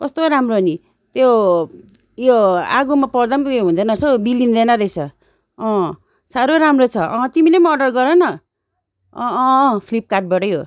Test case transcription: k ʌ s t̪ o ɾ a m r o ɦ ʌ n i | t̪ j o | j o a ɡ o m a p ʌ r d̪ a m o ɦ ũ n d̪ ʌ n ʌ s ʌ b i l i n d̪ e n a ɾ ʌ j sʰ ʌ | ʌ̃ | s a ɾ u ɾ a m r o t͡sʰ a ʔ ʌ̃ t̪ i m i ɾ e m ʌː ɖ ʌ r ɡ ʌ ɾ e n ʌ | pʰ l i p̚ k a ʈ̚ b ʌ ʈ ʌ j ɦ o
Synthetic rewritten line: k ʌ s t̪ o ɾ a m r o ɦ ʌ n i | t̪ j o | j o a ɡ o m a p ʌ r d̪ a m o ɦ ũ n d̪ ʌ n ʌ s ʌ b i l i n d̪ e n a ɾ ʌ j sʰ ʌ | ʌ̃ | s a ɾ o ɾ a m r o t͡sʰ ʌ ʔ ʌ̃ t̪ i m i l e m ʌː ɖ ʌ r ɡ ʌ ɾ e n ʌ | pʰ l i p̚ k a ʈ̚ b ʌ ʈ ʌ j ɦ o